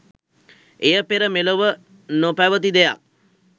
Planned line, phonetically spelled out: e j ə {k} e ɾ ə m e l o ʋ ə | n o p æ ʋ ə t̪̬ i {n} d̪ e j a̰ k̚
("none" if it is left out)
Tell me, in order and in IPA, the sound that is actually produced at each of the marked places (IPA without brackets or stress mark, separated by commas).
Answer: p, none